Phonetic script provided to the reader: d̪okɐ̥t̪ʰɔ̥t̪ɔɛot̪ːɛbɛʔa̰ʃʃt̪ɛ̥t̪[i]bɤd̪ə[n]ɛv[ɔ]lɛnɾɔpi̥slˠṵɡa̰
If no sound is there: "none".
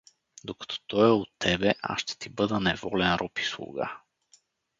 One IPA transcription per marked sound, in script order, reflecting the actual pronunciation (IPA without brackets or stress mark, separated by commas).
i, n, ɔ